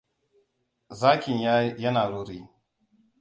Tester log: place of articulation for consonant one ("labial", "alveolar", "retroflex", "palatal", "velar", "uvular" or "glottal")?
alveolar